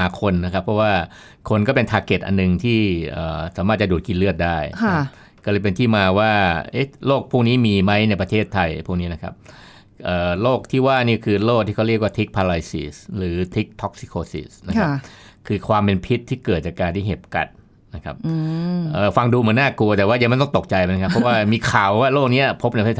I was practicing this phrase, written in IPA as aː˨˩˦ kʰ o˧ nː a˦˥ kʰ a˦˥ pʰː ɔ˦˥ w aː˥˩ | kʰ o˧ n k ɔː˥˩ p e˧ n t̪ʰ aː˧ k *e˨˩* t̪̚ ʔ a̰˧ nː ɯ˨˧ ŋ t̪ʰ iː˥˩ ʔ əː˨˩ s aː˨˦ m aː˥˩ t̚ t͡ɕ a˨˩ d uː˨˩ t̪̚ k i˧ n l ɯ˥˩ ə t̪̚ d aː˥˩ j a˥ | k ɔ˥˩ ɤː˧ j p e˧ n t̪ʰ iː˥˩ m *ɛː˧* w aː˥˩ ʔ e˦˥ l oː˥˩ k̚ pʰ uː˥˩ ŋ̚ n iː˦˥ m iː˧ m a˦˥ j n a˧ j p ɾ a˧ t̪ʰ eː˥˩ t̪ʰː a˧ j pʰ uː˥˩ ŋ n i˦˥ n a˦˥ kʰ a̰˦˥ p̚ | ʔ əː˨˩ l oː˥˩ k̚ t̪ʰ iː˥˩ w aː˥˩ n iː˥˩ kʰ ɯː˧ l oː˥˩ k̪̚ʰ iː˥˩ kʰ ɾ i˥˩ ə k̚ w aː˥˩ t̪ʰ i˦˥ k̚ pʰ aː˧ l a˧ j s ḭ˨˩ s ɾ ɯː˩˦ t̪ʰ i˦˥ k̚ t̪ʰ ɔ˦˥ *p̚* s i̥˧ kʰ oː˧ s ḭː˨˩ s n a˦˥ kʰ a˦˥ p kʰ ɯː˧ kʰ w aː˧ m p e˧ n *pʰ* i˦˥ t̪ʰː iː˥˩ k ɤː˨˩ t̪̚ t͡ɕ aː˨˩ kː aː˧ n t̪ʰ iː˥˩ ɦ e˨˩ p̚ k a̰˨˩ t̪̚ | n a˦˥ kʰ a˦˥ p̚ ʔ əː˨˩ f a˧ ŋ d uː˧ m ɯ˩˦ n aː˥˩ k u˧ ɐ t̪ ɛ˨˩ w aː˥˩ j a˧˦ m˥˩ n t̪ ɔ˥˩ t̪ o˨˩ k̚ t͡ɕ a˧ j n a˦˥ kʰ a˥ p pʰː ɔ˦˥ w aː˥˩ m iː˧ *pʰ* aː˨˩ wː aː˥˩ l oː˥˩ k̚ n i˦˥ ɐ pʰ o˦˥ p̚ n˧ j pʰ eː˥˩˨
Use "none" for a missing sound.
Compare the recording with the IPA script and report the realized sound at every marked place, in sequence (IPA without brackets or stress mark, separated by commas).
e˨˩, aː˧, k̚, pʰ, kʰ